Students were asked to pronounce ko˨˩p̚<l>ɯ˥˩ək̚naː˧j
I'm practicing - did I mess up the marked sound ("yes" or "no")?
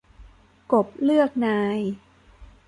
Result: no